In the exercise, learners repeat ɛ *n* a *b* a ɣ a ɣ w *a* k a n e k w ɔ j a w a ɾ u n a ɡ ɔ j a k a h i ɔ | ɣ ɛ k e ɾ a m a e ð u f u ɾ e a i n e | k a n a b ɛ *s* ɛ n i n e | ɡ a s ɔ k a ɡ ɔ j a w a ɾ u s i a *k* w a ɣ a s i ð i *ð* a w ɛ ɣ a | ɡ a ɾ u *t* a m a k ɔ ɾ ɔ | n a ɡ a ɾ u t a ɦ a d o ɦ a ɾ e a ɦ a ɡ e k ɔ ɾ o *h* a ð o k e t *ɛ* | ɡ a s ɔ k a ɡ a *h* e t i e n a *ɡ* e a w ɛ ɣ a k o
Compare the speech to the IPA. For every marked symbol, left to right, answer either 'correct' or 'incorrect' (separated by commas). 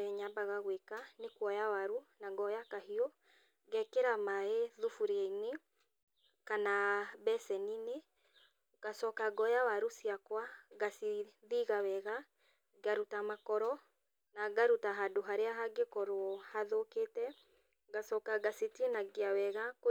incorrect, correct, incorrect, correct, correct, incorrect, correct, correct, correct, incorrect, correct